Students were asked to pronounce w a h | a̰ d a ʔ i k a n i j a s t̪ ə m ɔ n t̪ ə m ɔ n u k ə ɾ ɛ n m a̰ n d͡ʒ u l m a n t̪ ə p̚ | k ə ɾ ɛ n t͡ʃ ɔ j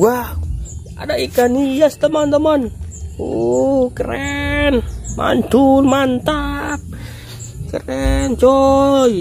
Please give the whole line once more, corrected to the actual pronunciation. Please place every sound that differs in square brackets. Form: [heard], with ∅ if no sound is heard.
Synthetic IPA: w a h | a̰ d a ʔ i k a n i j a s t̪ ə m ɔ n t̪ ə m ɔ n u k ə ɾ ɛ n m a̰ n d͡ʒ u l m a n t̪ [a] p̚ | k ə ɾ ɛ n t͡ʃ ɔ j